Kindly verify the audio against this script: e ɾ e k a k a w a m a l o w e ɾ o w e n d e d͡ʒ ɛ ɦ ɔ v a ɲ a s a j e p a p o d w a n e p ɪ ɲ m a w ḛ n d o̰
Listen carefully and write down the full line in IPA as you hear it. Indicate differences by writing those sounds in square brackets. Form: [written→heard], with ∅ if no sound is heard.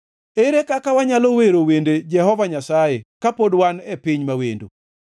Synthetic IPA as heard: e ɾ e k a k a w a [m→ɲ] a l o w e ɾ o w e n d e d͡ʒ ɛ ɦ ɔ v a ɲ a s a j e [p→k] a p o d w a n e p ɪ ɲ m a w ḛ n d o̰